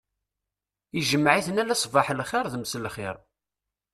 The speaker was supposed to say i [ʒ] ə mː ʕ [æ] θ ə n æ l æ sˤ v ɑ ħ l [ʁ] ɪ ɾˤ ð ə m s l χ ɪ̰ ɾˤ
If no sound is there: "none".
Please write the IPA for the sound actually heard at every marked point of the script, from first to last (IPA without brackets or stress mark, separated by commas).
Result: ʒ, i, χ